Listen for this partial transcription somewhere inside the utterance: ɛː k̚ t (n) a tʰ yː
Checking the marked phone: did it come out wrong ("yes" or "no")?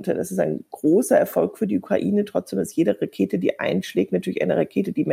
no